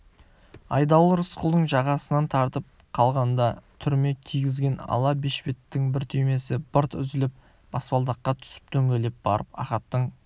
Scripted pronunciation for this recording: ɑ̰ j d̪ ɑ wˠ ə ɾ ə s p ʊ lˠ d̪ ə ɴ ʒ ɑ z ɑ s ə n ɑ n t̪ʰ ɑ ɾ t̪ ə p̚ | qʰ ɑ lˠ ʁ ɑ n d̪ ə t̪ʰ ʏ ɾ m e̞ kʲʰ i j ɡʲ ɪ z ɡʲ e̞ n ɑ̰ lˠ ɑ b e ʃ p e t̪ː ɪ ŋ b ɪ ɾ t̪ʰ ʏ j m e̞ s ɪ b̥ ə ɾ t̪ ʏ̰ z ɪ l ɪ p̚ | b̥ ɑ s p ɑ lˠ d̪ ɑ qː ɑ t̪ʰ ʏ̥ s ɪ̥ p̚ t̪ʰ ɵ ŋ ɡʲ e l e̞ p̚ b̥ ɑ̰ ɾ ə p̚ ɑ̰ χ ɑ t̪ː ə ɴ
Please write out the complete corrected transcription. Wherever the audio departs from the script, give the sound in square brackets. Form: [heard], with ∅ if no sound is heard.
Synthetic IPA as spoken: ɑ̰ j d̪ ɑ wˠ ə ɾ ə s [q] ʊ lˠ d̪ ə ɴ ʒ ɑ [ʁ] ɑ s ə n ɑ n t̪ʰ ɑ ɾ t̪ ə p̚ | qʰ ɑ lˠ ʁ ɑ n d̪ [ɑ] t̪ʰ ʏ ɾ m e̞ kʲʰ i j ɡʲ ɪ z ɡʲ e̞ n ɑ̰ lˠ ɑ b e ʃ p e t̪ː ɪ ŋ b ɪ ɾ t̪ʰ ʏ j m e̞ s ɪ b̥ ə ɾ t̪ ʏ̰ z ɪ l ɪ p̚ | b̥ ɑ s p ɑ lˠ d̪ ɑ qː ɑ t̪ʰ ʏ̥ s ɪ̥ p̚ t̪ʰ ɵ ŋ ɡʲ e l e̞ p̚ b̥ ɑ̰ ɾ ə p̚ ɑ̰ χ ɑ t̪ː ə ɴ